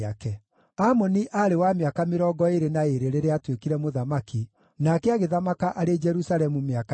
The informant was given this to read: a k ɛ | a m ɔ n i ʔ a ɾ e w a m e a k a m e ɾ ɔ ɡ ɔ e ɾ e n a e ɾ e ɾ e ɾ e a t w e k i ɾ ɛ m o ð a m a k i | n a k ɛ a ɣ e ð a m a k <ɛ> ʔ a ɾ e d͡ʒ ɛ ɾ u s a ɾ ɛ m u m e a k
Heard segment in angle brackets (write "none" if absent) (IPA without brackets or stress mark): a